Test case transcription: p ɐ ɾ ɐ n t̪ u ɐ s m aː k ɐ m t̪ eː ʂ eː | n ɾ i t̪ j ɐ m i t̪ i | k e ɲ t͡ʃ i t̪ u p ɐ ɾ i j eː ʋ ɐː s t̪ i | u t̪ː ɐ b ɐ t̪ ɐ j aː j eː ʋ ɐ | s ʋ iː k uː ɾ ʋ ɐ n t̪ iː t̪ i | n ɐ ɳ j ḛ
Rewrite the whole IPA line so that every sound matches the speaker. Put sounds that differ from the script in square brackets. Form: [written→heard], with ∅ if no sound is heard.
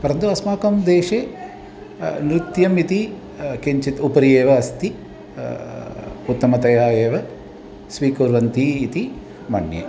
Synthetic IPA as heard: p ɐ ɾ ɐ n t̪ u ɐ s m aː k ɐ m [t̪→d̪] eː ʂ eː | n ɾ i t̪ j ɐ m i t̪ i | k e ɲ t͡ʃ i t̪ u p ɐ ɾ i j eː ʋ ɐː s t̪ i | u t̪ː ɐ [b→m] ɐ t̪ ɐ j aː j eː ʋ ɐ | s ʋ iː k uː ɾ ʋ ɐ n t̪ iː t̪ i | [n→m] ɐ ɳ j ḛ